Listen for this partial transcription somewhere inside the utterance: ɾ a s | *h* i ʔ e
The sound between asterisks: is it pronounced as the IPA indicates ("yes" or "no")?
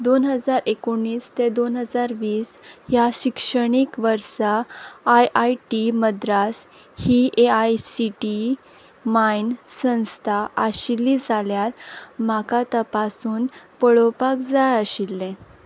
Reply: yes